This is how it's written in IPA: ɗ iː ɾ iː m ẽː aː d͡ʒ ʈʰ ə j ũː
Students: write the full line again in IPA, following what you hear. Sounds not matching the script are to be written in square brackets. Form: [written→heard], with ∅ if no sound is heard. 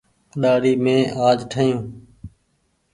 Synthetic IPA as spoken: ɗ [iː→aː] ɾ iː m ẽː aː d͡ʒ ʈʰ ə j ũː